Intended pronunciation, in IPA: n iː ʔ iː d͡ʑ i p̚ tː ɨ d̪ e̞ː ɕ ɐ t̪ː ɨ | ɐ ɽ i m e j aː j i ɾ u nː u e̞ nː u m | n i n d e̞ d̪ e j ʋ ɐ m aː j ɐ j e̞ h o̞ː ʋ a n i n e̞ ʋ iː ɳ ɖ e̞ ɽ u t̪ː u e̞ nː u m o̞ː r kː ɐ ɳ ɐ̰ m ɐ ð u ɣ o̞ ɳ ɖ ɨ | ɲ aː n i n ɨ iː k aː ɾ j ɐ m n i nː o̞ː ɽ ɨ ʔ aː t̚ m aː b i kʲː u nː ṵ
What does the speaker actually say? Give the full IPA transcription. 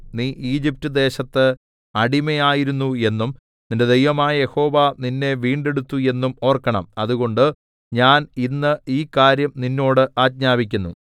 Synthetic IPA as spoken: n iː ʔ iː d͡ʑ i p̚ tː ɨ d̪ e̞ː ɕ ɐ t̪ː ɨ | ɐ ɽ i m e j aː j i ɾ u nː u e̞ nː u m | n i n d e̞ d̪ e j ʋ ɐ m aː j ɐ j e̞ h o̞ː ʋ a n i nː e̞ ʋ iː ɳ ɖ e̞ ɽ u t̪ː u e̞ nː u m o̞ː r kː ɐ ɳ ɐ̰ m ɐ ð u ɣ o̞ ɳ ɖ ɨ | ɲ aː n i nː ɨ iː k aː ɾ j ɐ m n i nː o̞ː ɽ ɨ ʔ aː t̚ ɲ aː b i kʲː u nː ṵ